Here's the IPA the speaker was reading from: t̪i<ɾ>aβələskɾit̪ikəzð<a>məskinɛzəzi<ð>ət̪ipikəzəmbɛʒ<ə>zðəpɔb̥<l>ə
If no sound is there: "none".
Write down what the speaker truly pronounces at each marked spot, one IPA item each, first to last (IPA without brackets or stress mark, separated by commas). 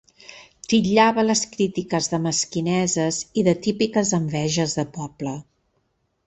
ʎ, ə, ð, ə, l